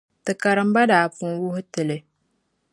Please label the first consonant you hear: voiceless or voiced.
voiceless